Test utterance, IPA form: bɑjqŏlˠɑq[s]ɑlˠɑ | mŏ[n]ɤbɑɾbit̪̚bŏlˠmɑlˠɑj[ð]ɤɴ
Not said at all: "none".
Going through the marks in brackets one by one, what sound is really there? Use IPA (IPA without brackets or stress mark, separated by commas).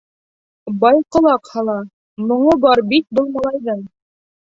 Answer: h, ɴ, ð